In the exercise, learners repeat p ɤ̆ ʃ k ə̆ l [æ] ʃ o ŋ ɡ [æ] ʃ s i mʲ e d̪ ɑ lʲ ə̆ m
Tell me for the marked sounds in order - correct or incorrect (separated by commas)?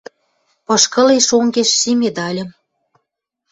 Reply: incorrect, incorrect